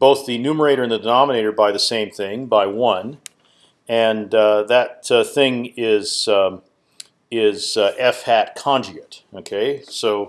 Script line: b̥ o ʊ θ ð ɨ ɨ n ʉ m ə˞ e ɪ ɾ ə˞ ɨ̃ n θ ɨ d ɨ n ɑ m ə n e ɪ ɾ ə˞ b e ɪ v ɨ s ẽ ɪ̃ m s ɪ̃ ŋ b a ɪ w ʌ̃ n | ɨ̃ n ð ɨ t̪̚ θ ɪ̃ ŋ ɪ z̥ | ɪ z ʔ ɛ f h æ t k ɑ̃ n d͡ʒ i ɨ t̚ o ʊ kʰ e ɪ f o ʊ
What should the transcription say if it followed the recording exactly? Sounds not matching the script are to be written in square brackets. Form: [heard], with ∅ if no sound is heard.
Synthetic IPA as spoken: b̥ o ʊ θ ð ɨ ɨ n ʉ m ə˞ e ɪ ɾ ə˞ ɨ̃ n [ð] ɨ d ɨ n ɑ m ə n e ɪ ɾ ə˞ b [a] ɪ [ð] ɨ s ẽ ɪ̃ m [θ] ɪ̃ ŋ b a ɪ w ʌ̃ n | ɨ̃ n ð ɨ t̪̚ θ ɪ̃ ŋ ɪ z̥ | ɪ z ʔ ɛ f h æ t [kʰ] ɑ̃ n d͡ʒ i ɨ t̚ o ʊ kʰ e ɪ [s] o ʊ